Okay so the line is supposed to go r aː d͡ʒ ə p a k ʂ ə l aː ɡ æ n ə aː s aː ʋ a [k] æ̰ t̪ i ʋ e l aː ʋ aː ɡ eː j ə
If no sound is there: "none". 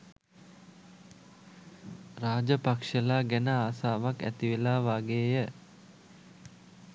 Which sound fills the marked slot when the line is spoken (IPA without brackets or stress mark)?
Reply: k